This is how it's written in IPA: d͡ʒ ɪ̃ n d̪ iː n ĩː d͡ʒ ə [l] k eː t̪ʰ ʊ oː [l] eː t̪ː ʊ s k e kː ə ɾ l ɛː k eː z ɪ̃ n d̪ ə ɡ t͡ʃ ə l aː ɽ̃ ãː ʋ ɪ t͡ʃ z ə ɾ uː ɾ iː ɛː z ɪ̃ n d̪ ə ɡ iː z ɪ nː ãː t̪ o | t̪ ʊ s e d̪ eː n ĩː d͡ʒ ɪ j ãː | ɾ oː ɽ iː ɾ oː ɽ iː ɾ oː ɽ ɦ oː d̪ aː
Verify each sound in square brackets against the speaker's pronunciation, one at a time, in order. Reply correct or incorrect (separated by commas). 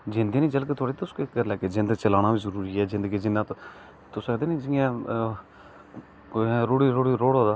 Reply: correct, incorrect